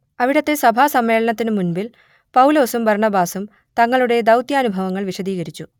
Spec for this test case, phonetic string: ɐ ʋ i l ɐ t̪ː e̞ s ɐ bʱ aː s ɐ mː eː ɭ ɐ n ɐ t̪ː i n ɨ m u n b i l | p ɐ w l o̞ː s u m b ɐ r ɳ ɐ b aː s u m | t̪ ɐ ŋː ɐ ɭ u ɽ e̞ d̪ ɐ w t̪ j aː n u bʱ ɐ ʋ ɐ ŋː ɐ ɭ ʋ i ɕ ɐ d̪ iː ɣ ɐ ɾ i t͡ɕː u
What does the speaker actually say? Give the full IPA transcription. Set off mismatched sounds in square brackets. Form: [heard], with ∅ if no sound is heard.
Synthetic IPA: ɐ ʋ i [ɽ] ɐ t̪ː e̞ s ɐ bʱ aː s ɐ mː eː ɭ ɐ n ɐ t̪ː i n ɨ m u n b i l | p ɐ w l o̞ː s u m b ɐ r ɳ ɐ b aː s u m | t̪ ɐ ŋː ɐ ɭ u ɽ e̞ d̪ ɐ w t̪ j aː n u bʱ ɐ ʋ ɐ ŋː ɐ ɭ ʋ i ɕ ɐ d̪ iː ɣ ɐ ɾ i t͡ɕː u